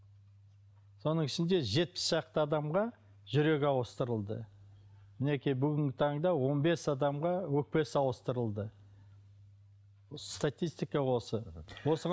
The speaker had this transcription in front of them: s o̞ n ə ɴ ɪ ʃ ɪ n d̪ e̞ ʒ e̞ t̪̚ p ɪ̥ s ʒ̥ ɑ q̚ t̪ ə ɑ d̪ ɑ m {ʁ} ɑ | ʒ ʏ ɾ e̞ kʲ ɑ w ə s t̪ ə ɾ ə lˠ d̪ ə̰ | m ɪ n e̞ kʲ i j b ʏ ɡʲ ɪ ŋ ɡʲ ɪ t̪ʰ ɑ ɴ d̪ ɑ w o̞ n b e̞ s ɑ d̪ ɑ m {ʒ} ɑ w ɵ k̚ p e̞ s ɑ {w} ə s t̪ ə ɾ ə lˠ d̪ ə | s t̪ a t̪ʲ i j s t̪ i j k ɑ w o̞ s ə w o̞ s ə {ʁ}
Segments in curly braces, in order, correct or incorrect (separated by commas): correct, incorrect, correct, correct